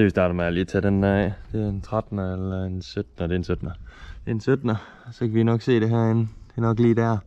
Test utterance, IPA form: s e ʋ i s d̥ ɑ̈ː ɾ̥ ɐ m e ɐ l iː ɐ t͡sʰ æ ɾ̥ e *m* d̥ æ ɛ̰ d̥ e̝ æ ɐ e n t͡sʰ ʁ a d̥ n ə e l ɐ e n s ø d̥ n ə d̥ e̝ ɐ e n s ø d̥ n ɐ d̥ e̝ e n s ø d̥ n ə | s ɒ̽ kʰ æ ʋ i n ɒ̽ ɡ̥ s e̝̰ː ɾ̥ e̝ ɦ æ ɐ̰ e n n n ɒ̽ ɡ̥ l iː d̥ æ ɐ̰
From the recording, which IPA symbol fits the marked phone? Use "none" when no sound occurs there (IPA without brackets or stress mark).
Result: n